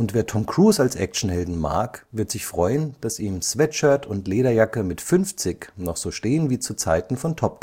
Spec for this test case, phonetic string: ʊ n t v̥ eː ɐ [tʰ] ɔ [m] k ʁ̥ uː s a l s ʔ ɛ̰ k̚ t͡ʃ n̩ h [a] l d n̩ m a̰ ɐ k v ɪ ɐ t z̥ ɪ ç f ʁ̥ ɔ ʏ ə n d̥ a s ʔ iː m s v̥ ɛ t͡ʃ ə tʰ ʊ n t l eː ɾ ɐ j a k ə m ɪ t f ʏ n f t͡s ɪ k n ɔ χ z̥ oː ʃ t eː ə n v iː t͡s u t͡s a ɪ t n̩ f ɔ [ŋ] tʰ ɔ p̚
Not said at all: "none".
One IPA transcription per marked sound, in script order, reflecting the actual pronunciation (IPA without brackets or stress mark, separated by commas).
tʰ, m, ɛ, n